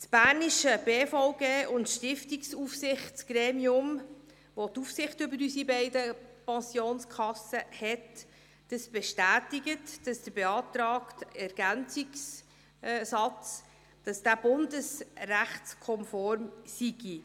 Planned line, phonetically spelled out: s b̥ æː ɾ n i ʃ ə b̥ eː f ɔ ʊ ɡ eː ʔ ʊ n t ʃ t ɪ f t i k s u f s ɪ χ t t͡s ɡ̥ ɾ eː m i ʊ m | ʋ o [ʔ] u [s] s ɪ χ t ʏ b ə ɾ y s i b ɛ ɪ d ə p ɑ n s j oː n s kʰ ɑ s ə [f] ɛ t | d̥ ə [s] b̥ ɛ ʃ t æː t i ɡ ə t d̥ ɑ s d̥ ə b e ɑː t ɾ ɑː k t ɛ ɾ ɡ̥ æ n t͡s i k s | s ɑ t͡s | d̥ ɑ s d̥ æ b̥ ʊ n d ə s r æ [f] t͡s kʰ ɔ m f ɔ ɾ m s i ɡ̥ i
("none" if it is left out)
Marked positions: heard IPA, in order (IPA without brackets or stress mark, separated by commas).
t, f, h, s, χ